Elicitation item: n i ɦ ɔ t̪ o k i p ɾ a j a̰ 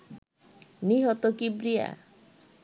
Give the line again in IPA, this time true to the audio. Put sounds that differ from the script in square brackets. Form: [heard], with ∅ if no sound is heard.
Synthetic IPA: n i ɦ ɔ t̪ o k i [b] ɾ [i] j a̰